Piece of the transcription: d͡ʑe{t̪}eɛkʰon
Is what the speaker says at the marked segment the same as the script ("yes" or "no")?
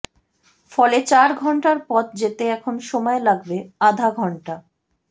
yes